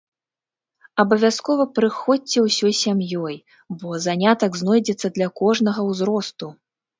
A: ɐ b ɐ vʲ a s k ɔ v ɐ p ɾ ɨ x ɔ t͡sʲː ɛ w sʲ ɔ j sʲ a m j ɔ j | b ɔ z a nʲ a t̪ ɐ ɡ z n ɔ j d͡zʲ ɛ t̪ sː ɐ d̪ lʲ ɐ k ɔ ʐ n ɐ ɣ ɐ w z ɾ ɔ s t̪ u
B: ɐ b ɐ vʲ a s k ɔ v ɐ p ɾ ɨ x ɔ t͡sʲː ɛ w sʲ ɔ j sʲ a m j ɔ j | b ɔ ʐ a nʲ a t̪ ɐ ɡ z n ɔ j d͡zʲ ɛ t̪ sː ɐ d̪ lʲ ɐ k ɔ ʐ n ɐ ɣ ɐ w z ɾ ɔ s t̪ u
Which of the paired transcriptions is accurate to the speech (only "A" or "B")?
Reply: A